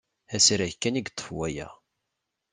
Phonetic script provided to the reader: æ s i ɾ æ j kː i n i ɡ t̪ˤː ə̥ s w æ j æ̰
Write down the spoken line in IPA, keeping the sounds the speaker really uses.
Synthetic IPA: æ s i ɾ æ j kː æ n i ɡ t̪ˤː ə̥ f w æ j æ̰